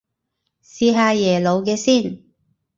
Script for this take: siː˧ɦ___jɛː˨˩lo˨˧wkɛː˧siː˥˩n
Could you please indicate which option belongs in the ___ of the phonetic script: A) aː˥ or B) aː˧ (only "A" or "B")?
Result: B